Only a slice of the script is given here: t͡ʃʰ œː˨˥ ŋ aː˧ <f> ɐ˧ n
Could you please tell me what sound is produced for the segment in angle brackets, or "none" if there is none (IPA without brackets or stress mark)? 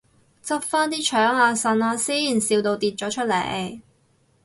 s